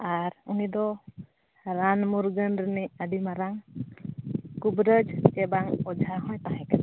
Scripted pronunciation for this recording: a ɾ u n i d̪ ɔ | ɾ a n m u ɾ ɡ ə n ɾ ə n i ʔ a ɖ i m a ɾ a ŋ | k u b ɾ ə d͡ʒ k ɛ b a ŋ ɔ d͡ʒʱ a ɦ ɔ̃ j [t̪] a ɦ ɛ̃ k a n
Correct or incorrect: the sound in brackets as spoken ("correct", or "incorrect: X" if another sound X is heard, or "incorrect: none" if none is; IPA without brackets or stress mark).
correct